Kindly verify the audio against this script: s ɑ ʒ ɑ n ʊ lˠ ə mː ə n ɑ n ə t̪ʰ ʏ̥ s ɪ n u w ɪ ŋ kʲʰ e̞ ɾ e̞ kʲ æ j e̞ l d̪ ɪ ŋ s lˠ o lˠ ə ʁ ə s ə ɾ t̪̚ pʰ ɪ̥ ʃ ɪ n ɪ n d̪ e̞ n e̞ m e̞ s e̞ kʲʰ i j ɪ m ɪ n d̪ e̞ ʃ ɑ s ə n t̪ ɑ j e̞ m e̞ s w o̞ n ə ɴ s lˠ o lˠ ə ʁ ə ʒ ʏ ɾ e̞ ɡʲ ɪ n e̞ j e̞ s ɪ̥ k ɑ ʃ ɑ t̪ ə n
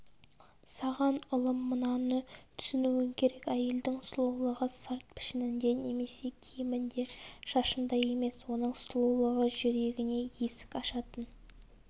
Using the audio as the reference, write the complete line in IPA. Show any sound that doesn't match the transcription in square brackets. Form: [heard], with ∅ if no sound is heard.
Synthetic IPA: s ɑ [ʁ] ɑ n ʊ lˠ ə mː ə n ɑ n ə t̪ʰ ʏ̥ s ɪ n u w ɪ ŋ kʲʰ e̞ ɾ e̞ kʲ æ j e̞ l d̪ ɪ ŋ s lˠ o lˠ ə ʁ ə s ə ɾ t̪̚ pʰ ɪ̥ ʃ ɪ n ɪ n d̪ e̞ n e̞ m e̞ s e̞ kʲʰ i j ɪ m ɪ n d̪ e̞ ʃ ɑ [ʃ] ə n [d̪] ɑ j e̞ m e̞ s w o̞ n ə ɴ s lˠ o lˠ ə ʁ ə ʒ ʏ ɾ e̞ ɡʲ ɪ n e̞ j e̞ s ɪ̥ k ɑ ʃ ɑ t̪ ə n

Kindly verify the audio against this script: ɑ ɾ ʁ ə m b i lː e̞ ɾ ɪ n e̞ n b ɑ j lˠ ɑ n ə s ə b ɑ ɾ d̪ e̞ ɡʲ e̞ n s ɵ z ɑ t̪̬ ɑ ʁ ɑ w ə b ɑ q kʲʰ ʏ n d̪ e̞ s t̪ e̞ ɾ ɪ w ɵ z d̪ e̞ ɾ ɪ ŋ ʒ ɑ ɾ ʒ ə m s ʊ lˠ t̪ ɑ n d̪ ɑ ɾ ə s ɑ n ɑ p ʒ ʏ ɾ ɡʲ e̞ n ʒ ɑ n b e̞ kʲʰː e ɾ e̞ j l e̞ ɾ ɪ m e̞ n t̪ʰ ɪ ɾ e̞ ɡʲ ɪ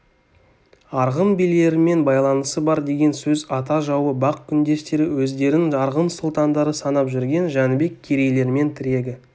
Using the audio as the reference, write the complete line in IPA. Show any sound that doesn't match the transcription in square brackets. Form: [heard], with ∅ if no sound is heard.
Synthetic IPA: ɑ ɾ ʁ ə m b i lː e̞ ɾ ɪ [m] e̞ n b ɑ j lˠ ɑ n ə s ə b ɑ ɾ d̪ e̞ ɡʲ e̞ n s ɵ z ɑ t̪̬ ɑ [ʒ] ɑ w ə b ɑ q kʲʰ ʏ n d̪ e̞ s t̪ e̞ ɾ ɪ w ɵ z d̪ e̞ ɾ ɪ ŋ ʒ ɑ ɾ [ʁ] ə m s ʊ lˠ t̪ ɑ n d̪ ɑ ɾ ə s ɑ n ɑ p ʒ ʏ ɾ ɡʲ e̞ n ʒ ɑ n b e̞ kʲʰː e ɾ e̞ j l e̞ ɾ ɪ m e̞ n t̪ʰ ɪ ɾ e̞ ɡʲ ɪ

